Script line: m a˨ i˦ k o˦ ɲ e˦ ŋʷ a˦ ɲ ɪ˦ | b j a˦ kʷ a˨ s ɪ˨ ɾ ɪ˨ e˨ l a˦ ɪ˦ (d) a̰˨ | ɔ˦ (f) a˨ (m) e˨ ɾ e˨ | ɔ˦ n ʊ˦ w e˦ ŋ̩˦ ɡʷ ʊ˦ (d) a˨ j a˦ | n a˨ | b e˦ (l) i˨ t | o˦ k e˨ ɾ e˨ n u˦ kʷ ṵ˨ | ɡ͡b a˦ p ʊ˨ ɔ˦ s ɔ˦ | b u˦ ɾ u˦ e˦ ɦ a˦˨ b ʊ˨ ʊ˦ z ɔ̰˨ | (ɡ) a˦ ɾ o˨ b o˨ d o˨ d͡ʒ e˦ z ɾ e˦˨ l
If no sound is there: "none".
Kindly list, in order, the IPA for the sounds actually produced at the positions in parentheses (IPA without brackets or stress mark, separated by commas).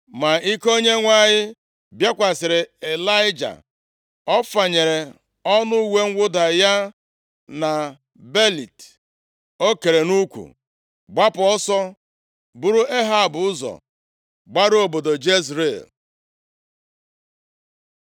d͡ʒ, f, ɲ, d, l, ɡ͡b